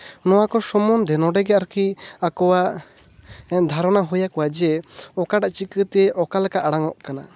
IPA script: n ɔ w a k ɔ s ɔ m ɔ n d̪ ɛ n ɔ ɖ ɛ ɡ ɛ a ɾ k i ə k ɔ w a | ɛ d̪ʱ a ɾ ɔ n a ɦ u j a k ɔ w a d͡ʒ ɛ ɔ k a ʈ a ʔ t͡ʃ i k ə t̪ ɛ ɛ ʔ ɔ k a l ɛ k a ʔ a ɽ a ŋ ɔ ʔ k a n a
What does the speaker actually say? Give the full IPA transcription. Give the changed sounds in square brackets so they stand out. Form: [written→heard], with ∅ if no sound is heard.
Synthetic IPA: n ɔ w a k ɔ s ɔ m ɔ n d̪ ɛ n ɔ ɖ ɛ ɡ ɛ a ɾ k i [ə→a] k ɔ w a | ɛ d̪ʱ a ɾ ɔ n a ɦ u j a k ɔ w a d͡ʒ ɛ ɔ k a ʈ a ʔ t͡ʃ i k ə t̪ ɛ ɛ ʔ ɔ k a l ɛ k a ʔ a ɽ a ŋ ɔ ʔ k a n a

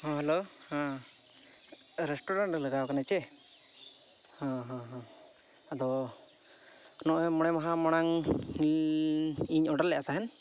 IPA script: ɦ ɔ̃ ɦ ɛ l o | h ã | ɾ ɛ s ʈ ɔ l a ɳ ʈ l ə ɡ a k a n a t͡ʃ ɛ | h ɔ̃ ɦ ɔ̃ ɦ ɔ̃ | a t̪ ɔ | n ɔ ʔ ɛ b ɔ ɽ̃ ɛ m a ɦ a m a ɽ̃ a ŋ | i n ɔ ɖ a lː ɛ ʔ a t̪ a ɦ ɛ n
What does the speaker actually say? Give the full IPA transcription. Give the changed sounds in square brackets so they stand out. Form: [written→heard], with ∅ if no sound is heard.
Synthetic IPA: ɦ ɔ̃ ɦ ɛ l o | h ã | ɾ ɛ s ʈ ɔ [l→ɾ] a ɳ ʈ l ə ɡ a k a n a t͡ʃ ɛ | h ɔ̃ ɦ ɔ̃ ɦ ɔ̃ | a [t̪→d̪] ɔ | n ɔ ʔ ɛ [b→m] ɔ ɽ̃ ɛ m a ɦ a m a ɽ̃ a ŋ | i [n→ɲ] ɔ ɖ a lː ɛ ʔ a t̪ a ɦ ɛ n

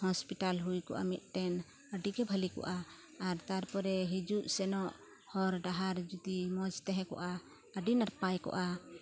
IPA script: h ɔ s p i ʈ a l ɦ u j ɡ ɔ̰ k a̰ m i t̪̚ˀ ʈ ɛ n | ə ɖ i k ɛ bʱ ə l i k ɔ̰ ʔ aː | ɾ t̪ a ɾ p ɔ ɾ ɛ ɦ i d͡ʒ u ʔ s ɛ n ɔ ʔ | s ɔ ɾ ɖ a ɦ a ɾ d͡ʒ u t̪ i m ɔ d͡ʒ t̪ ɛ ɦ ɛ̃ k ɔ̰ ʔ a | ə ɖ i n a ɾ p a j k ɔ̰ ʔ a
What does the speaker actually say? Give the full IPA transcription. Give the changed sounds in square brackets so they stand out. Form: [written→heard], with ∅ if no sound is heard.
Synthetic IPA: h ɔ s p i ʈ a l ɦ u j [ɡ→k] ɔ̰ [k→ʔ] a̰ m i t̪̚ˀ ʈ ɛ n | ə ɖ i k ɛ bʱ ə l i k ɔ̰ ʔ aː | ɾ t̪ a ɾ p ɔ ɾ ɛ ɦ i d͡ʒ u ʔ s ɛ n ɔ ʔ | [s→h] ɔ ɾ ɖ a ɦ a ɾ d͡ʒ u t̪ i m ɔ d͡ʒ t̪ ɛ ɦ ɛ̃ k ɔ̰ ʔ a | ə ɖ i n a ɾ p a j k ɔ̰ ʔ a

